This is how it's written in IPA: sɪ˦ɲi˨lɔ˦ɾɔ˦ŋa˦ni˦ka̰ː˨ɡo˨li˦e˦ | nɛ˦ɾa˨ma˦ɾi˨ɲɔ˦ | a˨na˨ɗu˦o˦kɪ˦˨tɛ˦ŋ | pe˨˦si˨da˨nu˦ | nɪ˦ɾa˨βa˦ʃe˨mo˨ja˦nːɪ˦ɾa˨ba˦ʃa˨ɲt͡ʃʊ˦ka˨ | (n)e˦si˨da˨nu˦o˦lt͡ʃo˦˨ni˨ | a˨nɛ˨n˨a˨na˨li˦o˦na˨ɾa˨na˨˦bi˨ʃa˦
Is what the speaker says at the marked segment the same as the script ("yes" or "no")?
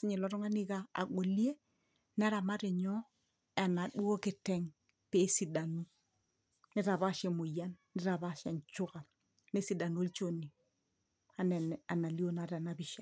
yes